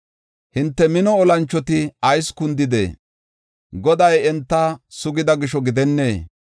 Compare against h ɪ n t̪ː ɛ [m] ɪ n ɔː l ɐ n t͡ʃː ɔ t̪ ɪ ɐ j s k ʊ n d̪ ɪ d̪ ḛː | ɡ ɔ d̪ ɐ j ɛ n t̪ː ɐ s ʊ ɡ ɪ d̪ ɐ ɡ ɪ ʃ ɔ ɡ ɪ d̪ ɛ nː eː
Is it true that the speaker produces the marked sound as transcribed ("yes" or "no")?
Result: yes